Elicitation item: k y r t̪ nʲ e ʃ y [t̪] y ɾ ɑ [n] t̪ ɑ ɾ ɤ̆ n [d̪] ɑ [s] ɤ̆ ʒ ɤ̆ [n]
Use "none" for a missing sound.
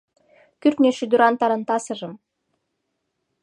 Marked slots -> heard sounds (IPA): d̪, n, t̪, s, m

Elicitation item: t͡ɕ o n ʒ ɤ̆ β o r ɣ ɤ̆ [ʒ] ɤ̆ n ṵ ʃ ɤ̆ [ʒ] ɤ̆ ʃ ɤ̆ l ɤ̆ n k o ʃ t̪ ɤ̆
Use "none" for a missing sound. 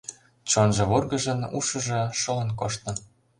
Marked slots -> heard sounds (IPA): ʒ, ʒ

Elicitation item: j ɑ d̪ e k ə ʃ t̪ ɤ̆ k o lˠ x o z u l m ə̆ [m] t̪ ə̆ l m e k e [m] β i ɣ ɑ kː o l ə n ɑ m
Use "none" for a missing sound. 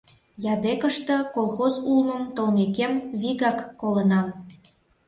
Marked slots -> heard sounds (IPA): m, m

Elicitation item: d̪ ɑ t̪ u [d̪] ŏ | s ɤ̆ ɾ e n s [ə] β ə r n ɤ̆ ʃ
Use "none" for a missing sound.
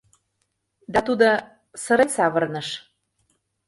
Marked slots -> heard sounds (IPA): d̪, ɑ

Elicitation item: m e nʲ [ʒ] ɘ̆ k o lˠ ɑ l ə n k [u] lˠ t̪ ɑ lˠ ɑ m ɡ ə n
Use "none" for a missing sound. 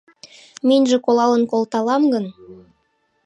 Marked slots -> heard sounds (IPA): ʒ, o

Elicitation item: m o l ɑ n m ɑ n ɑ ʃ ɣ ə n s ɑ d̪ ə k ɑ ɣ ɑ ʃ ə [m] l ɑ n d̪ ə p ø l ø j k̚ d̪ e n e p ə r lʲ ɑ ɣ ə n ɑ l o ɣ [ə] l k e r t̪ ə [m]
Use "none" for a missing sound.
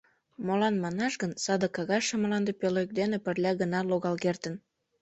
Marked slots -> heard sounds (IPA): m, ɑ, n

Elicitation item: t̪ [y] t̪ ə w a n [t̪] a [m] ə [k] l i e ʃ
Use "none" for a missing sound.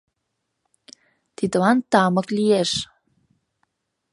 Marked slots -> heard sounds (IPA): i, t̪, m, k

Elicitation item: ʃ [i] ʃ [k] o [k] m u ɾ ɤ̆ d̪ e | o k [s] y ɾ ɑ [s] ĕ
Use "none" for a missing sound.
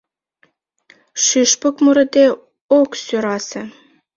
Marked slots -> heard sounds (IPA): y, p, k, s, s

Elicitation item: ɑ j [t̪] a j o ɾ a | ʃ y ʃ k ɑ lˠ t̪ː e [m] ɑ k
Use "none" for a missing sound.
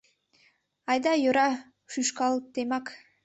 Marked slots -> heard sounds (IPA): d̪, m

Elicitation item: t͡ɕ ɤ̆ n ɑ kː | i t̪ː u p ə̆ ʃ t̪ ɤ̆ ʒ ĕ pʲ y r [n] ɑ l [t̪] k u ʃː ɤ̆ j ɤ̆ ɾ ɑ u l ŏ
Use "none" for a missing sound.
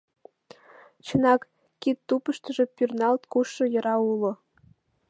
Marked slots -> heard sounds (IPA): n, t̪

